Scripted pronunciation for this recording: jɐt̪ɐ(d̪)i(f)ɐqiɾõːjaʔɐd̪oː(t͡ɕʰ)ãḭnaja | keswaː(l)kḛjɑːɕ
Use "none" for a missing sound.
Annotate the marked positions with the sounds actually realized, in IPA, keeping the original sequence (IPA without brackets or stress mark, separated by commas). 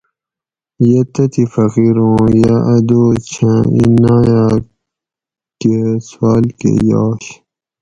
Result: t̪, f, t͡ɕʰ, l